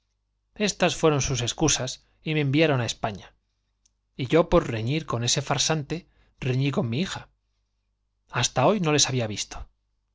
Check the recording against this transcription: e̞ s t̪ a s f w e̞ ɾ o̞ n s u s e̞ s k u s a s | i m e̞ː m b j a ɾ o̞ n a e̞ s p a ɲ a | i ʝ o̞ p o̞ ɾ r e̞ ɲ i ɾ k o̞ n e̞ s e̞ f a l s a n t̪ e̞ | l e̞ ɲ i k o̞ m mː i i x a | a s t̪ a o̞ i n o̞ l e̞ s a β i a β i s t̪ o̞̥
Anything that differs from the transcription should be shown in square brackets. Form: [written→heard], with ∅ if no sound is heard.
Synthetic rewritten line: e̞ s t̪ a s f w e̞ ɾ o̞ n s u s e̞ s k u s a s | i m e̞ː m b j a ɾ o̞ n a e̞ s p a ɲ a | i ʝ o̞ p o̞ ɾ r e̞ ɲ i ɾ k o̞ n e̞ s e̞ f a [l→ɾ] s a n t̪ e̞ | [l→r] e̞ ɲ i k o̞ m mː i i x a | a s t̪ a o̞ [i→j] n o̞ l e̞ s a β i a β i s t̪ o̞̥